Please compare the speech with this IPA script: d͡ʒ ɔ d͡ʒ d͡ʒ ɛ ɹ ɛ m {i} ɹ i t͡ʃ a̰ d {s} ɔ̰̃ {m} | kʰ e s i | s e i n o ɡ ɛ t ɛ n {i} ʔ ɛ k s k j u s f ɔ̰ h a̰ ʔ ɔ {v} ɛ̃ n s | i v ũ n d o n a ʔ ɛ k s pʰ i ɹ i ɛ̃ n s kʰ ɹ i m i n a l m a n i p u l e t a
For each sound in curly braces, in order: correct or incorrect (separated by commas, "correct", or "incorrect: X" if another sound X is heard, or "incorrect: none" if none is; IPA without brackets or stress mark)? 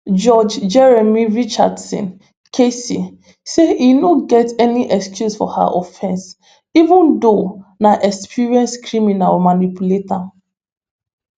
correct, correct, incorrect: n, correct, incorrect: f